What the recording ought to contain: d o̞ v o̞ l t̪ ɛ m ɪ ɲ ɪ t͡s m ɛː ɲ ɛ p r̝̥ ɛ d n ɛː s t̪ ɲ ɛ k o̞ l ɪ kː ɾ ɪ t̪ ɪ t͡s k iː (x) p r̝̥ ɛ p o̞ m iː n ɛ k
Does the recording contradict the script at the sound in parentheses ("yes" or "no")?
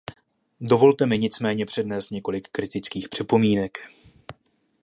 no